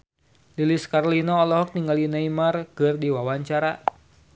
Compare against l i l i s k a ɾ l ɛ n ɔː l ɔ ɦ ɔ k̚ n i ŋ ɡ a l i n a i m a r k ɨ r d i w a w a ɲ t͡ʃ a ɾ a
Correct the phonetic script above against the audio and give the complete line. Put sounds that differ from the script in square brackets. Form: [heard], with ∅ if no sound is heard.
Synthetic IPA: l i l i s k a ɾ l [i] n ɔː l ɔ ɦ ɔ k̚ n i ŋ ɡ a l i n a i m a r k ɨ r d i w a w a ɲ t͡ʃ a ɾ a